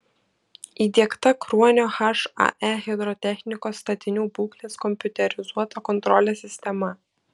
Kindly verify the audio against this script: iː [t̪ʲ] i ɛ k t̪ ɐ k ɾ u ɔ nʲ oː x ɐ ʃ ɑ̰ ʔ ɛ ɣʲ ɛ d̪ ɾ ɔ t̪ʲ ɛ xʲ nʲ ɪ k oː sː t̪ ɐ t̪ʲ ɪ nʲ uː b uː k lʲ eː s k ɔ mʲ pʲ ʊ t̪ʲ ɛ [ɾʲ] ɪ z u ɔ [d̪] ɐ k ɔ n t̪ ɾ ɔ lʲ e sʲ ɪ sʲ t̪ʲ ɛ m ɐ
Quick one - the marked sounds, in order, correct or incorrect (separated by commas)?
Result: incorrect, correct, incorrect